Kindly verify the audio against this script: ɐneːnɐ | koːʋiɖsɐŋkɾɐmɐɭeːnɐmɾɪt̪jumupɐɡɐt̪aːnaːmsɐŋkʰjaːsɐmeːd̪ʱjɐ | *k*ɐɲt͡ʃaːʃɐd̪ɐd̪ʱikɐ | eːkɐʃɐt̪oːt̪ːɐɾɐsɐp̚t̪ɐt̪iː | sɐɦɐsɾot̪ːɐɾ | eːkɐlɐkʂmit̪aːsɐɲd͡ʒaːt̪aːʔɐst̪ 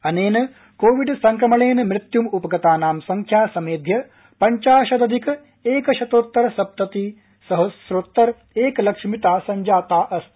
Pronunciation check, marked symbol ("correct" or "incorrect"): incorrect